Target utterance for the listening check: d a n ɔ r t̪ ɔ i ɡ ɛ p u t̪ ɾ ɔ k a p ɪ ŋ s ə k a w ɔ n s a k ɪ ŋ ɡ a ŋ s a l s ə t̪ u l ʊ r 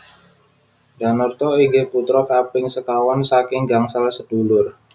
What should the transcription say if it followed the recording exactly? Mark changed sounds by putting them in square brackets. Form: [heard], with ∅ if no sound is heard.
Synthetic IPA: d a n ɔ r t̪ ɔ i ɡ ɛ p u t̪ ɾ ɔ k a p ɪ ŋ s ə k a w ɔ n s a k ɪ ŋ ɡ a ŋ s a l s ə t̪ u l ʊ r